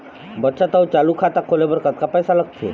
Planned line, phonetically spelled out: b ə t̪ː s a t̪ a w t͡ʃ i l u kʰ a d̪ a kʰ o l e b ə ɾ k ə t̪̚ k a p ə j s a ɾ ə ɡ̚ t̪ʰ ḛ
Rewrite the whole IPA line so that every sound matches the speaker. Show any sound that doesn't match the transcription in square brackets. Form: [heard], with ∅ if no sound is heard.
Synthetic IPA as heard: b ə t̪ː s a t̪ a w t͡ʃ [a] l u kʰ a [t̪] a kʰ o l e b ə ɾ k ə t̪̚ k a p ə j s a [l] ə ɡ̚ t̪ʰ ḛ